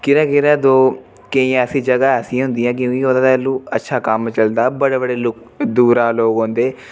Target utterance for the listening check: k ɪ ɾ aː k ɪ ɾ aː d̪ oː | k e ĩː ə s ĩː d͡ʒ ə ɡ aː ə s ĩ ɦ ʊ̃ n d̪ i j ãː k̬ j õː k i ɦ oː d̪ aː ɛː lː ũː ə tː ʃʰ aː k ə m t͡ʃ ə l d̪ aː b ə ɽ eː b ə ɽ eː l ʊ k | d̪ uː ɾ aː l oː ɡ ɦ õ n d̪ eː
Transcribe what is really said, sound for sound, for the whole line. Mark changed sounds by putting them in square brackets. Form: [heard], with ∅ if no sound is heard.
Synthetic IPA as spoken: k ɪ ɾ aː k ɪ ɾ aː d̪ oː | k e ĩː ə s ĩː d͡ʒ ə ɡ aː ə s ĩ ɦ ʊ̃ n d̪ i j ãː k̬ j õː k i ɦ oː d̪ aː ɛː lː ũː ə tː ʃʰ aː k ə m t͡ʃ ə l d̪ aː b ə ɽ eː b ə ɽ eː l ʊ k | d̪ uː ɾ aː l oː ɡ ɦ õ n d̪ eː

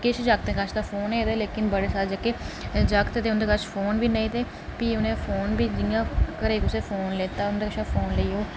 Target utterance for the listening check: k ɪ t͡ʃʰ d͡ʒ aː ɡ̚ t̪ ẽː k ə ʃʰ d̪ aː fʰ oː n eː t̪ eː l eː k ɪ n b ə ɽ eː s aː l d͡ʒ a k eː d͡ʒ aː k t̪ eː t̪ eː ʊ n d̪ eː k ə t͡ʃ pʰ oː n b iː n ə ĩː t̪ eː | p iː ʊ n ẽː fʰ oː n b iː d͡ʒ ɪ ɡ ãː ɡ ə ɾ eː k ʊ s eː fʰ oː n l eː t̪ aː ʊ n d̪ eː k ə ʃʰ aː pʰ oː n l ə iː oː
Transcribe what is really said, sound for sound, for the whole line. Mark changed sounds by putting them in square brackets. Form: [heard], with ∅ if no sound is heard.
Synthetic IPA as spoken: k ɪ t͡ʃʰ d͡ʒ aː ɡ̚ t̪ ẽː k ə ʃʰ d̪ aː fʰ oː n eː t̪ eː l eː k ɪ n b ə ɽ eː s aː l d͡ʒ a k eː d͡ʒ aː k t̪ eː t̪ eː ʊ n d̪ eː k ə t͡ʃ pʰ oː n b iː n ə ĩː t̪ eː | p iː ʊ n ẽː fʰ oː n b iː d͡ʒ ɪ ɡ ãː [k] ə ɾ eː k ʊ s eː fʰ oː n l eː t̪ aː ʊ n d̪ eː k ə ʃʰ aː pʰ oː n l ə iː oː

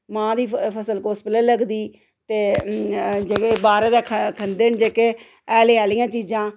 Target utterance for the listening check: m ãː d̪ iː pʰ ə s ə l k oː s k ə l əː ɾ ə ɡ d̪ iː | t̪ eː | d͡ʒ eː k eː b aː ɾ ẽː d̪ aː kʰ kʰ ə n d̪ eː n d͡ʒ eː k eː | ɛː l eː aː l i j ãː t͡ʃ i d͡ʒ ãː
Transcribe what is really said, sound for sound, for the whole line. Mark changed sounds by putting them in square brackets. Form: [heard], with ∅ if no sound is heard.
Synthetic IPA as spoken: m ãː d̪ iː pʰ ə s ə l k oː s [p] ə l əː [l] ə ɡ d̪ iː | t̪ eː | d͡ʒ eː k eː b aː ɾ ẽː d̪ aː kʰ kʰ ə n d̪ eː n d͡ʒ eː k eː | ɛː l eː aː l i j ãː t͡ʃ [iː] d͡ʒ ãː

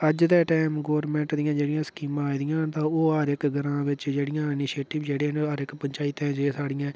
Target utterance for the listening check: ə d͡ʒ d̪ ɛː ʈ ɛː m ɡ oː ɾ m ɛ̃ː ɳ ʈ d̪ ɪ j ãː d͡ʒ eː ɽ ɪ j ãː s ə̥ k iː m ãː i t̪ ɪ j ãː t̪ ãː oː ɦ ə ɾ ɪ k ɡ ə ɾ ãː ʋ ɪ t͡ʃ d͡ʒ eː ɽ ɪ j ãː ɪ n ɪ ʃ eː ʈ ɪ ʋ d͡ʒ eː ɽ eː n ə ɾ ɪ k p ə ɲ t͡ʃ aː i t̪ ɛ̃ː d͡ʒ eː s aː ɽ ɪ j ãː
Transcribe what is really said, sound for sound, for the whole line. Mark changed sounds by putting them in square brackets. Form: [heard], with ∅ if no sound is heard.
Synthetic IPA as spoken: ə d͡ʒ d̪ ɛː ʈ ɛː m ɡ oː ɾ m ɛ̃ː ɳ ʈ d̪ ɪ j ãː d͡ʒ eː ɽ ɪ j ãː s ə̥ k iː m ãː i [d̪] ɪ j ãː t̪ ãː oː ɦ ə ɾ ɪ k ɡ ə ɾ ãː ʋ ɪ t͡ʃ d͡ʒ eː ɽ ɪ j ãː ɪ n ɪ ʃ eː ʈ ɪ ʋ d͡ʒ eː ɽ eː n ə ɾ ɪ k p ə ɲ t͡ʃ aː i t̪ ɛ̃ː d͡ʒ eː s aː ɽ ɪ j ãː

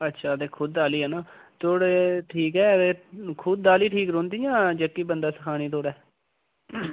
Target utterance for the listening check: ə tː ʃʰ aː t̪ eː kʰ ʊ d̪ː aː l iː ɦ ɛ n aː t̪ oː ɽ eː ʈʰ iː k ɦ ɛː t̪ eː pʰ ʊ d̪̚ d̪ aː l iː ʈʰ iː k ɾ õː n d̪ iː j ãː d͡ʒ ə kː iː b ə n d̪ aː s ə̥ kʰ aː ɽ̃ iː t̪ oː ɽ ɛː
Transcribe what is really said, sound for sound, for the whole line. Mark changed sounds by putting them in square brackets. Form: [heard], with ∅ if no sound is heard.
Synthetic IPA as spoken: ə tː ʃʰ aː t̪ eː kʰ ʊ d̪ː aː l iː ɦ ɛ n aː t̪ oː ɽ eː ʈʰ iː k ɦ ɛː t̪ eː [kʰ] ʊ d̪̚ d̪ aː l iː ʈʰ iː k ɾ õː n d̪ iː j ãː d͡ʒ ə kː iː b ə n d̪ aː s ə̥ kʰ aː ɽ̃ iː t̪ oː ɽ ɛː

